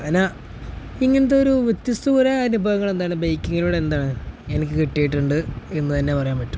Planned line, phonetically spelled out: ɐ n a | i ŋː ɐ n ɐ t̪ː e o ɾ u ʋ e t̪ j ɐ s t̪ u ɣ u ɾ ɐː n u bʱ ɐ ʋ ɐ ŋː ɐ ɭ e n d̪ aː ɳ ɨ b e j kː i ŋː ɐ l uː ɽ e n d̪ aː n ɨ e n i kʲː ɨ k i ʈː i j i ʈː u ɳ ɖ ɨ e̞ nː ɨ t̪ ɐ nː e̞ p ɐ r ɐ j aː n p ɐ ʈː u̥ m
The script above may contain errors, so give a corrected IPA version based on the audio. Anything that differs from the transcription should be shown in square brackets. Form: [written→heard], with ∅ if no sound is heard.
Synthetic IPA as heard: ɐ n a | i ŋː ɐ n ɐ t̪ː e o ɾ u ʋ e t̪ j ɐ s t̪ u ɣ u ɾ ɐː n u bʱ ɐ ʋ ɐ ŋː ɐ ɭ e n d̪ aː ɳ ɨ b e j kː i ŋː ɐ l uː ɽ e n d̪ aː [n→ɳ] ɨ e n i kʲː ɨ k i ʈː i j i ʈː u ɳ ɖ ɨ e̞ nː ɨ t̪ ɐ nː e̞ p ɐ r ɐ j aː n p ɐ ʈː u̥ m